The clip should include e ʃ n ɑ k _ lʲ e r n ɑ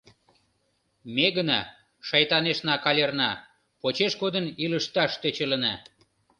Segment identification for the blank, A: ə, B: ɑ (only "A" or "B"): B